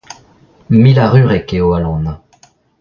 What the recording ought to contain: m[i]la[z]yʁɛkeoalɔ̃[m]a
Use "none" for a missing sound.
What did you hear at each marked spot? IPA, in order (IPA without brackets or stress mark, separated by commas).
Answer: i, ʁ, n